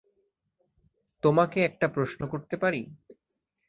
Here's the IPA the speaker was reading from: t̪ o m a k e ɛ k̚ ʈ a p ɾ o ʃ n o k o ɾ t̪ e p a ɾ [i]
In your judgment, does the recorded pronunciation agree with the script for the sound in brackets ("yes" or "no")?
yes